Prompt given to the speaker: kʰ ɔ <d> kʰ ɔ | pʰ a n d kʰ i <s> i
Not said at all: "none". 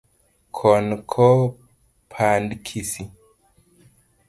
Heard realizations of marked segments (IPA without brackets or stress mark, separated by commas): n, s